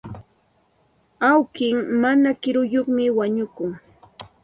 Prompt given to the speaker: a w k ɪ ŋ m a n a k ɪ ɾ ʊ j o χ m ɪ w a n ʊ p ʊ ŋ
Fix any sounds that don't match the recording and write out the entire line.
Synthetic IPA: a w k ɪ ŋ m a n a k ɪ ɾ ʊ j o χ m ɪ w a ɲ ʊ k ʊ ŋ